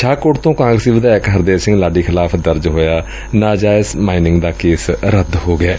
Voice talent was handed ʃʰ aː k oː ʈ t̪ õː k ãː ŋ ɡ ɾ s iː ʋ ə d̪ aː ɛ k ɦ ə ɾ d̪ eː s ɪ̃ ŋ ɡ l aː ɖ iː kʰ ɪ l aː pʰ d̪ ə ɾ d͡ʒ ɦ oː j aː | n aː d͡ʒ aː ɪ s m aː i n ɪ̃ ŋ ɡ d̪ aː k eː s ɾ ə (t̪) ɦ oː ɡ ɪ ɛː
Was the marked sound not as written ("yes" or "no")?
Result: yes